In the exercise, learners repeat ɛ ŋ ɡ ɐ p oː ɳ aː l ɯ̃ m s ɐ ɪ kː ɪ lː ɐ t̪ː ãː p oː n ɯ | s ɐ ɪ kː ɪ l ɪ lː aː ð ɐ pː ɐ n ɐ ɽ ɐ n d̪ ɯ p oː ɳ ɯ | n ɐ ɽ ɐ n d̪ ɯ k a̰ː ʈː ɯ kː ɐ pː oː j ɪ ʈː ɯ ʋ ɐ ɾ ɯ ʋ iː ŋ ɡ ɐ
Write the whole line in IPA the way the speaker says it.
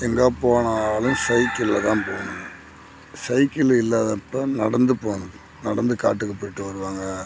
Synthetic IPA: ɛ ŋ ɡ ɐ p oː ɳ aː l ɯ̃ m s ɐ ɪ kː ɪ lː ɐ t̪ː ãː p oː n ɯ | s ɐ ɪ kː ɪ l ɪ lː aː ð ɐ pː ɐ n ɐ ɽ ɐ n d̪ ɯ p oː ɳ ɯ | n ɐ ɽ ɐ n d̪ ɯ k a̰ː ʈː ɯ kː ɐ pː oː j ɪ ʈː ɯ ʋ ɐ ɾ ɯ ʋ aː ŋ ɡ ɐ